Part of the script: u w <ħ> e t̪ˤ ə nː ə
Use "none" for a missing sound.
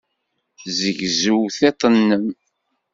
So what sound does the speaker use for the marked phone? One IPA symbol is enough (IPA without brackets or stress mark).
θ